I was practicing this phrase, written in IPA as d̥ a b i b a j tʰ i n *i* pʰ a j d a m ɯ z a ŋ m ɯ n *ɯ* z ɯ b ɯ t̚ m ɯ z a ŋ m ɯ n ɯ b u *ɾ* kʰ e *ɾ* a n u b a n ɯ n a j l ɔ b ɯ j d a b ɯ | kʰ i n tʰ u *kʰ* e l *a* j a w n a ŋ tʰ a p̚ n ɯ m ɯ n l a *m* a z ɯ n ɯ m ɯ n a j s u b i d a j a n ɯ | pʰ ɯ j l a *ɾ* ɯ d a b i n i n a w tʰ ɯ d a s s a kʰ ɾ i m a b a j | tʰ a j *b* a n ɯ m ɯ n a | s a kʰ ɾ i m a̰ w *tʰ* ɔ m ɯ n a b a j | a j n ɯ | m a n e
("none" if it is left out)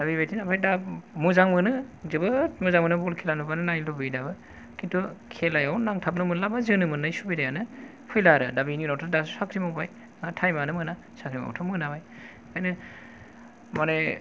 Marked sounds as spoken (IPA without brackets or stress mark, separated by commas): a, ɯ, l, l, kʰ, a, b, ɾ, m, tʰ